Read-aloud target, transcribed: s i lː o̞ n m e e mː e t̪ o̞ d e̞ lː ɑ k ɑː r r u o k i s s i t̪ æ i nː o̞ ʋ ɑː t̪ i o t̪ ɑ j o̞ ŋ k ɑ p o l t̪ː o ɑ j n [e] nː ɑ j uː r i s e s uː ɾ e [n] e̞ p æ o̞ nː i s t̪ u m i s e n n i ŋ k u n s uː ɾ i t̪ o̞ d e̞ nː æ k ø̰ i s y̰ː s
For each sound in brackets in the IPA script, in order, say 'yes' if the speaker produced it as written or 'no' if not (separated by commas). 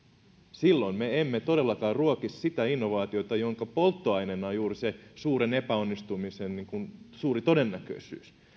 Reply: yes, yes